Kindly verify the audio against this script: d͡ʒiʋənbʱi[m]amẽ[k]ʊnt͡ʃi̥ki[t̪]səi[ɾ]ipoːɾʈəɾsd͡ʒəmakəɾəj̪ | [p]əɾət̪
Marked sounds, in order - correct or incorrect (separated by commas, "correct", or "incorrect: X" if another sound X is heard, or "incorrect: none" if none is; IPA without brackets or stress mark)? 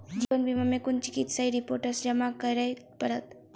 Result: correct, correct, correct, correct, correct